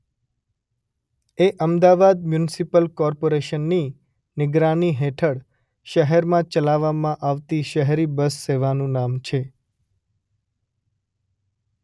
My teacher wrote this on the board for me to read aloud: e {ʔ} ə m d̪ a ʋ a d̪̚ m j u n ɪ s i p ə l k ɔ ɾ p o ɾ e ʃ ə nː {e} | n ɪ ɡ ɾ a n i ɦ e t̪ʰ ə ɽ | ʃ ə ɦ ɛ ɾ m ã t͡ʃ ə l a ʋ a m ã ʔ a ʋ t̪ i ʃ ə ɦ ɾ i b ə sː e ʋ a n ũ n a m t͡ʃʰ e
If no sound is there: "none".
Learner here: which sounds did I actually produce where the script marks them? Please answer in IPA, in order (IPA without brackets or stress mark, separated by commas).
ʔ, i